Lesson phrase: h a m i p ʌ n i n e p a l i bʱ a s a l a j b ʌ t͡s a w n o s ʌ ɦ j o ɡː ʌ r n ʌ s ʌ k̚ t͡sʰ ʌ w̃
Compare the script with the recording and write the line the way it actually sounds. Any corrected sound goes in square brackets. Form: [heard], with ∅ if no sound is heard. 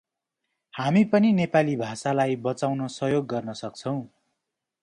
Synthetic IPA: h a m i p ʌ n i n e p a l i bʱ a s a l a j b ʌ t͡s a w n o s ʌ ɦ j o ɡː ʌ r n ʌ s ʌ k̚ t͡sʰ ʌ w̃